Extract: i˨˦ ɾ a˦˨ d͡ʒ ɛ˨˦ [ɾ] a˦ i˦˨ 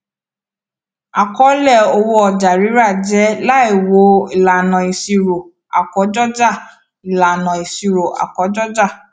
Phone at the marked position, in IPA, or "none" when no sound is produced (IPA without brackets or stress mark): l